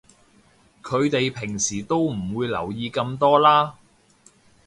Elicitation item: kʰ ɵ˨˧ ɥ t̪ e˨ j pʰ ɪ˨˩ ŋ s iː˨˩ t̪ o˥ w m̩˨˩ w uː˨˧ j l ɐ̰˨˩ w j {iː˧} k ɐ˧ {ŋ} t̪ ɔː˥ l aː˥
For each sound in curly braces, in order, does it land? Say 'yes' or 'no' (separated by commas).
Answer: yes, no